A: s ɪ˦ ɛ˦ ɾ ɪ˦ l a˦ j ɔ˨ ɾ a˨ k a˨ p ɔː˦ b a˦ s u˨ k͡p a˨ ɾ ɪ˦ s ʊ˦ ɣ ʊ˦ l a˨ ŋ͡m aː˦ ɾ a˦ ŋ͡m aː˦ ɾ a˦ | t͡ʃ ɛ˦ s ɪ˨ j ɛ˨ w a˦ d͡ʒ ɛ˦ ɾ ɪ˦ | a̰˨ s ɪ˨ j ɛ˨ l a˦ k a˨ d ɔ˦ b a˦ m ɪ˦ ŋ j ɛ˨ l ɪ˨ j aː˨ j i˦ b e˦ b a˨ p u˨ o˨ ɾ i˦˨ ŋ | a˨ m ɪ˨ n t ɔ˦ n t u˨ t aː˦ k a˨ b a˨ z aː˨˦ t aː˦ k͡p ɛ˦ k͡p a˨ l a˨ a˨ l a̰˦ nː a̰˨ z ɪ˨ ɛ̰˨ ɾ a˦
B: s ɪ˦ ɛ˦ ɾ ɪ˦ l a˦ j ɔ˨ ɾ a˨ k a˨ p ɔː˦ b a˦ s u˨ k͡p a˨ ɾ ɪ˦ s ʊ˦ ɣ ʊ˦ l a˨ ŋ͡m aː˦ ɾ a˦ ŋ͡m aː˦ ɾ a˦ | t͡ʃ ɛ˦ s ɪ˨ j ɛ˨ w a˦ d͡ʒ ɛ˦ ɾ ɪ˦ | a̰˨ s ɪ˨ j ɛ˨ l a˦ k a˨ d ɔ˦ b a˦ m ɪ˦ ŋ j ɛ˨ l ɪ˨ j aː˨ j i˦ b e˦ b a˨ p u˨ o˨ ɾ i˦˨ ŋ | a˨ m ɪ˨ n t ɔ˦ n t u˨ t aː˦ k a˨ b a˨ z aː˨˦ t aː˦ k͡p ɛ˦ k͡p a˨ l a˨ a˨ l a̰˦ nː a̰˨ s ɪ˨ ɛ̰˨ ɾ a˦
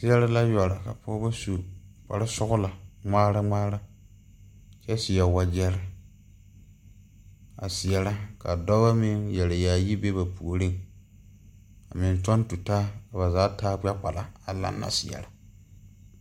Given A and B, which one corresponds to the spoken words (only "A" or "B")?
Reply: B